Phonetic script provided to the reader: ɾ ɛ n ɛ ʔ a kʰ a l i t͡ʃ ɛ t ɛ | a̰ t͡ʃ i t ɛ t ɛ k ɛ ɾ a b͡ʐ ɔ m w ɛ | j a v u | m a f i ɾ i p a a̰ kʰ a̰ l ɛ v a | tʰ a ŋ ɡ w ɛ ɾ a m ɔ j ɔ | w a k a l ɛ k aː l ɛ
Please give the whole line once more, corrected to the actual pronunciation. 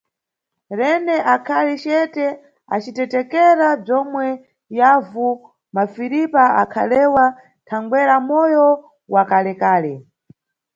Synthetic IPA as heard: ɾ ɛ n ɛ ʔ a kʰ a l i t͡ʃ ɛ t ɛ | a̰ t͡ʃ i t ɛ t ɛ k ɛ ɾ a b͡ʐ ɔ m w ɛ | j a v u | m a f i ɾ i p a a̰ kʰ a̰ l ɛ w a | tʰ a ŋ ɡ w ɛ ɾ a m ɔ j ɔ | w a k a l ɛ k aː l ɛ